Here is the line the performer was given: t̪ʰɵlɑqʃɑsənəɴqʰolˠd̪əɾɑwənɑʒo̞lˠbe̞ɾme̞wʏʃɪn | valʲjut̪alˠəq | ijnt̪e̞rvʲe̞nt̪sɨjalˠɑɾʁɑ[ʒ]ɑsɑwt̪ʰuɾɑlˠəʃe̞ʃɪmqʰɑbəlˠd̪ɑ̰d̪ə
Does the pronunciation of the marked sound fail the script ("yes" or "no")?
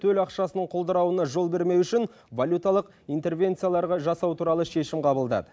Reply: no